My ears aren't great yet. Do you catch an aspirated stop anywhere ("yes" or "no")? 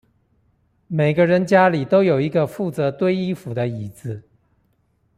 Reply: no